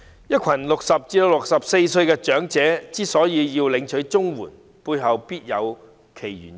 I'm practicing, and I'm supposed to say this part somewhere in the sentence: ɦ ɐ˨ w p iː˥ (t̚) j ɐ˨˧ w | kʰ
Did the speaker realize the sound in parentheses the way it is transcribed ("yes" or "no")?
yes